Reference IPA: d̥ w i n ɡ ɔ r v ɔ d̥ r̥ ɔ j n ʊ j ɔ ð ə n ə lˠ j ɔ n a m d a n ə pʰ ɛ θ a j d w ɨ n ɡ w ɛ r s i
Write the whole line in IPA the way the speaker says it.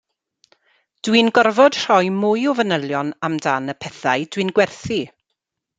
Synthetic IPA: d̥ w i n ɡ ɔ r v ɔ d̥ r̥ ɔ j m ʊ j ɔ v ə n ə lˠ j ɔ n a m d a n ə pʰ ɛ θ a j d w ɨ n ɡ w ɛ r θ i